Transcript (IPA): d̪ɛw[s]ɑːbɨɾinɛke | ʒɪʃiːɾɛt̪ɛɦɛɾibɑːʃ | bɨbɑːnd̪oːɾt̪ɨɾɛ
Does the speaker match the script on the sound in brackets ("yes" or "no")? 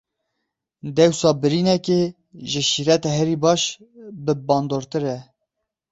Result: yes